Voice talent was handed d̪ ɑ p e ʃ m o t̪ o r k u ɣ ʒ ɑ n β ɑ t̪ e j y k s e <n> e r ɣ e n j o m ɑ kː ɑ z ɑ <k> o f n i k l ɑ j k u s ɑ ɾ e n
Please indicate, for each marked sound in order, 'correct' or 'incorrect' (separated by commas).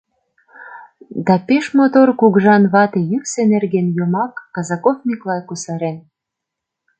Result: correct, correct